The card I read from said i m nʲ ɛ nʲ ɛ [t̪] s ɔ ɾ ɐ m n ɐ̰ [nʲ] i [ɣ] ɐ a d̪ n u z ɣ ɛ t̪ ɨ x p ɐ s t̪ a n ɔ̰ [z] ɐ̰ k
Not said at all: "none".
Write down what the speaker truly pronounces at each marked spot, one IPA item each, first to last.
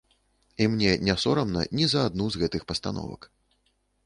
none, nʲ, z, v

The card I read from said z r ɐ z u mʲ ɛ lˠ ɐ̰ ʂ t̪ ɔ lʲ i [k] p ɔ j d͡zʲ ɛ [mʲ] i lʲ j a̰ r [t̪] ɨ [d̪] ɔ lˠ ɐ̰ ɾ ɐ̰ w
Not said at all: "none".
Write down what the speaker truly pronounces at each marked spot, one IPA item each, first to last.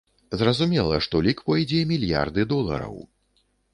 k, mʲ, d̪, d̪

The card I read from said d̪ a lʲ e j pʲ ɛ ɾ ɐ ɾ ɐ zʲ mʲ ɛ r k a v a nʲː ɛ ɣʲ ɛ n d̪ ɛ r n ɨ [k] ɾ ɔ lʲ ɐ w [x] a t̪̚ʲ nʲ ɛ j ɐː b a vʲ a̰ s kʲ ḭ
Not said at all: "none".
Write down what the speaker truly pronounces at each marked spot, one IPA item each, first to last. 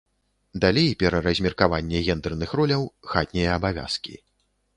x, x

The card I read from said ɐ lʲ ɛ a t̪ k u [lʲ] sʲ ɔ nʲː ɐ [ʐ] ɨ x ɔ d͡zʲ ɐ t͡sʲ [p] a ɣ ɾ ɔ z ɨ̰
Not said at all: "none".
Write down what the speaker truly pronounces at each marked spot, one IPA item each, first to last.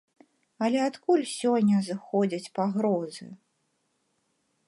lʲ, z, p

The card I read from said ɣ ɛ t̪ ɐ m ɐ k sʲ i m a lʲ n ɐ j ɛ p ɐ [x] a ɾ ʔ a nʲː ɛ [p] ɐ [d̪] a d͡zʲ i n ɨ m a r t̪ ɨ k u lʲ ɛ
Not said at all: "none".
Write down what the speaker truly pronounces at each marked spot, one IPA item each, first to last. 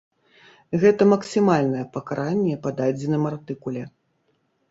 k, p, d̪

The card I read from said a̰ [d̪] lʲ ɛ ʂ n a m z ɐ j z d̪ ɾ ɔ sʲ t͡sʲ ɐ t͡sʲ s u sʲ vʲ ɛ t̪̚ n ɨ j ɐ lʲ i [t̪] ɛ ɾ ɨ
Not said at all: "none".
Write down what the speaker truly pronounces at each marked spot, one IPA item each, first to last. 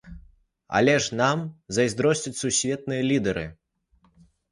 none, d̪

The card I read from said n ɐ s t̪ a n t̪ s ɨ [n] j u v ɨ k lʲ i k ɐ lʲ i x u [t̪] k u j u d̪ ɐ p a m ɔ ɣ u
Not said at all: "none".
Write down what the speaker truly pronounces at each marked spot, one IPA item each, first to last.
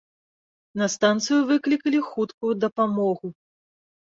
none, t̪

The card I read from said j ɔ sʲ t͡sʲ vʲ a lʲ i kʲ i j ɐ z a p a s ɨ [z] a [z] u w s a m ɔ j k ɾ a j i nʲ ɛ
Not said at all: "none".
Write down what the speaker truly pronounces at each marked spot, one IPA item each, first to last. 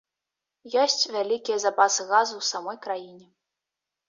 ɣ, z

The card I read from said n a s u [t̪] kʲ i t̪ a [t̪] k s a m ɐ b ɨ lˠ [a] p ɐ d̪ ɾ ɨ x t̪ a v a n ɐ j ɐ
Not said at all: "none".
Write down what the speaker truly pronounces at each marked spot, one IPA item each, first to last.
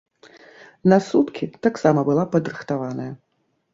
t̪, none, a

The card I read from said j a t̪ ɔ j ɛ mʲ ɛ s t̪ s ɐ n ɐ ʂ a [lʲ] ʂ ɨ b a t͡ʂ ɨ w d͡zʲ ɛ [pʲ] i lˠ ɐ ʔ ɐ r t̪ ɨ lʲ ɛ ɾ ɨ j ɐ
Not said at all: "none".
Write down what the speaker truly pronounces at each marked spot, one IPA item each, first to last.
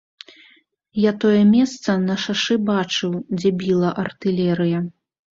none, bʲ

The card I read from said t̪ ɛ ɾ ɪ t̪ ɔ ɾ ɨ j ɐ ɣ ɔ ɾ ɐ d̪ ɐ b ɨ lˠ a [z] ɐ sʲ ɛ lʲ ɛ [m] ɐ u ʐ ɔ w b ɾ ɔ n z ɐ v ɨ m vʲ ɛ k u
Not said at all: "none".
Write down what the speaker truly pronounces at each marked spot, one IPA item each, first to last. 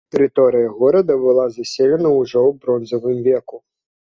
z, n

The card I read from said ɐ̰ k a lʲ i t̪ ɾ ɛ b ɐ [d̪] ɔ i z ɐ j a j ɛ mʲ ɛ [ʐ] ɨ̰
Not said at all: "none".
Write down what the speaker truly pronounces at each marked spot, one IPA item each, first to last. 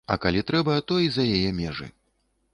t̪, ʐ

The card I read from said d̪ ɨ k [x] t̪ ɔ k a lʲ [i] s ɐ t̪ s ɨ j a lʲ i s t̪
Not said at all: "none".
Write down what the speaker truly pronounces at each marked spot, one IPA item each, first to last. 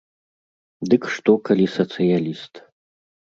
ʂ, i

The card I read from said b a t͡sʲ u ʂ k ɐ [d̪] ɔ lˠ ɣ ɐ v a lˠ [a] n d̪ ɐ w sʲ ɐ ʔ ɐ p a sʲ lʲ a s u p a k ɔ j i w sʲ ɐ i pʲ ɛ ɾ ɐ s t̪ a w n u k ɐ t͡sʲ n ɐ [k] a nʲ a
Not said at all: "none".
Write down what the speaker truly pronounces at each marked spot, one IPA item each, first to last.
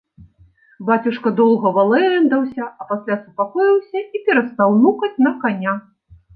d̪, ɛ, k

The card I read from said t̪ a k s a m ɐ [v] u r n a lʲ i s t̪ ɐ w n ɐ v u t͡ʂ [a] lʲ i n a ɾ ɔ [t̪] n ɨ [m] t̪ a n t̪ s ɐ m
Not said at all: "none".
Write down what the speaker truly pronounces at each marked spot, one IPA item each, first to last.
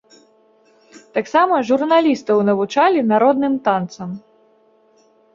ʐ, a, d̪, m

